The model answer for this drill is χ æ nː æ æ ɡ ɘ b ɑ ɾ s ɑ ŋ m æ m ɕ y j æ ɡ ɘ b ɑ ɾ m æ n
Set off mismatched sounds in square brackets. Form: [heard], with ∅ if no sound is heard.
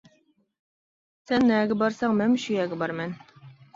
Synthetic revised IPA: [s] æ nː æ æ ɡ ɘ b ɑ ɾ s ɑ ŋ m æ m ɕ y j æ ɡ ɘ b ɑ ɾ m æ n